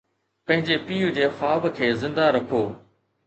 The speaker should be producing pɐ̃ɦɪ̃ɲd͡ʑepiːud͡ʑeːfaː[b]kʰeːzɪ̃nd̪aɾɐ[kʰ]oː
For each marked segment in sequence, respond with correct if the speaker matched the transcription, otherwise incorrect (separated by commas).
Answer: correct, correct